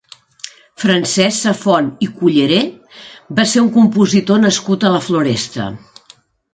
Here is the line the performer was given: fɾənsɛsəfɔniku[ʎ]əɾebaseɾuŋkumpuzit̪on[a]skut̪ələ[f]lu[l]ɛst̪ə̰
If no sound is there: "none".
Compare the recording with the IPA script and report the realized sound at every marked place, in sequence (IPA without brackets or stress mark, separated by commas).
ʎ, ə, f, ɾ